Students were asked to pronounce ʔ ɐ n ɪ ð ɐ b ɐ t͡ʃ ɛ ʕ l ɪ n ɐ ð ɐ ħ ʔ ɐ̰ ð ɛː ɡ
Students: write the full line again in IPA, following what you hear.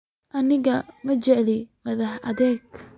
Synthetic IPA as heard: ʔ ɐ n ɪ ɣ ɐ m ɐ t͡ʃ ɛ ʕ l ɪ m ɐ ð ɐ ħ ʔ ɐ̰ ð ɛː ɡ